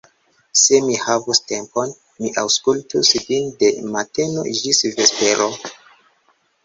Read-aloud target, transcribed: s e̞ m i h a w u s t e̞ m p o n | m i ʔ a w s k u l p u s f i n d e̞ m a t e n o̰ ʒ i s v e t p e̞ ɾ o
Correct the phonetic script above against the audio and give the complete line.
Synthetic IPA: s e̞ m i h a v u s t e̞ m p o n | m i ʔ a w s k u l t u s v i n d e̞ m a t e n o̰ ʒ i s v e s p e̞ ɾ o